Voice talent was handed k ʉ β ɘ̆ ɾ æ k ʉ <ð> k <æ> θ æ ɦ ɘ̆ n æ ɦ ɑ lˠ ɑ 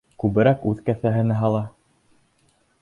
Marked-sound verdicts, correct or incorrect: correct, correct

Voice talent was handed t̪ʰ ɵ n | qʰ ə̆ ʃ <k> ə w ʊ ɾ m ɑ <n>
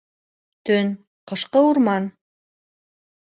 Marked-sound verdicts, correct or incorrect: incorrect: q, correct

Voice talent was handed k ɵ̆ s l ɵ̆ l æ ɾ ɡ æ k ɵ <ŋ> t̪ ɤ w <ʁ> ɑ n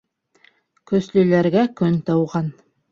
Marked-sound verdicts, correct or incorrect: incorrect: n, correct

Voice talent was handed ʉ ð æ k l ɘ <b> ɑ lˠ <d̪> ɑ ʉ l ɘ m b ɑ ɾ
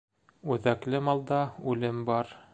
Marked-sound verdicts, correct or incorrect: incorrect: m, correct

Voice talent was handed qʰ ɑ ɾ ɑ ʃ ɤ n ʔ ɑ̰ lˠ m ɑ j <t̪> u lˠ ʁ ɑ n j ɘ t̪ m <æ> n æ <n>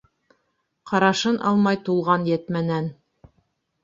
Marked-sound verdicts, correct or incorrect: correct, correct, correct

